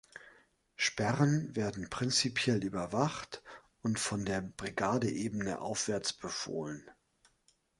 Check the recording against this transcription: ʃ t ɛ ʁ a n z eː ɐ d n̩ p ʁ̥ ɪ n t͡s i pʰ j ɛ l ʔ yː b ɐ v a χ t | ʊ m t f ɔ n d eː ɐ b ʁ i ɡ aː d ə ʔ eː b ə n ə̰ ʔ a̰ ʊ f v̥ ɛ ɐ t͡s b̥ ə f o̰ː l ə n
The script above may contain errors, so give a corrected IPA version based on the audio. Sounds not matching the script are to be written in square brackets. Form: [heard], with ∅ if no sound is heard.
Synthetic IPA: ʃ [p] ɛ ʁ [ə] n [v] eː ɐ d n̩ p ʁ̥ ɪ n t͡s i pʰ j ɛ l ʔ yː b ɐ v a χ t | ʊ [n] t f ɔ n d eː ɐ b ʁ i ɡ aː d ə ʔ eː b ə n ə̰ ʔ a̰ ʊ f v̥ ɛ ɐ t͡s b̥ ə f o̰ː l ə n